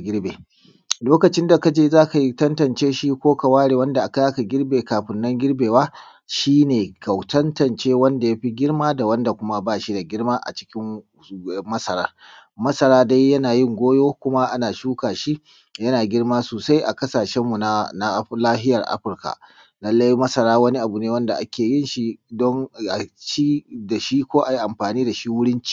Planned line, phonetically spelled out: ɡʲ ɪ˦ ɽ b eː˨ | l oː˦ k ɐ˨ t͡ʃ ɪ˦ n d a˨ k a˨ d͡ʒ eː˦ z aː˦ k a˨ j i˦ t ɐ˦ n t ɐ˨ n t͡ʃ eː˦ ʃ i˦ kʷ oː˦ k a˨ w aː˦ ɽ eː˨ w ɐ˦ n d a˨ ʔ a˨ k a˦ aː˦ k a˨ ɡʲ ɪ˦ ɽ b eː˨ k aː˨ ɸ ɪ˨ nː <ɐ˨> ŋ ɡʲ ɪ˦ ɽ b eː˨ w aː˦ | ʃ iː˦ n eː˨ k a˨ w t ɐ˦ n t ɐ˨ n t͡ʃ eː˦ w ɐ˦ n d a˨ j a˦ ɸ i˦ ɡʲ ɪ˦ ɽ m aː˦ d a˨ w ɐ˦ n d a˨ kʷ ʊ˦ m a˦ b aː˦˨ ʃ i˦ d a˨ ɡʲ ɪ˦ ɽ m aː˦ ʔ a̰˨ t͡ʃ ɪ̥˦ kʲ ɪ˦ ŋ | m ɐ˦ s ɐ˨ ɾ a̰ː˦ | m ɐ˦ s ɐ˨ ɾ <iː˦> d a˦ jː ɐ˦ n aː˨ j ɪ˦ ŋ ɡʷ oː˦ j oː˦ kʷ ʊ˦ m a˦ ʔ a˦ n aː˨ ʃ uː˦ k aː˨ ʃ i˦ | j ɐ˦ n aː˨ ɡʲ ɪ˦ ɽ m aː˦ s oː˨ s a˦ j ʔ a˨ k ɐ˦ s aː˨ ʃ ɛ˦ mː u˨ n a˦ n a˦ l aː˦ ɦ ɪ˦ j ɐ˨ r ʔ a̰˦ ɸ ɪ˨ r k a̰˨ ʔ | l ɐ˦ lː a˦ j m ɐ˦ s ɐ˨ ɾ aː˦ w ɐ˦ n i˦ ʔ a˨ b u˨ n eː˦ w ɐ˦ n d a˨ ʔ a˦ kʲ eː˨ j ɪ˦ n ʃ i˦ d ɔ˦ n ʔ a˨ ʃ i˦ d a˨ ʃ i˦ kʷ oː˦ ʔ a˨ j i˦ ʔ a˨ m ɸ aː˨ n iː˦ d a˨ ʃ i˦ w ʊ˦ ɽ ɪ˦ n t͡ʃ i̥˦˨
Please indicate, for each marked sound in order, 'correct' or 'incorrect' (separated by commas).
incorrect, incorrect